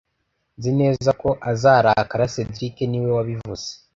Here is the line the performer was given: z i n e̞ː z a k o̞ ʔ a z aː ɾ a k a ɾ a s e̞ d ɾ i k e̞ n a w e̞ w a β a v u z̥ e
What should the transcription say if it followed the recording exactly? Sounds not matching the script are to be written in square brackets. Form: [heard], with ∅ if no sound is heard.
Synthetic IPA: z i n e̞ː z a k o̞ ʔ a z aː ɾ a k a ɾ a s e̞ d ɾ i k e̞ n [i] w e̞ w a β [i] v u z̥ e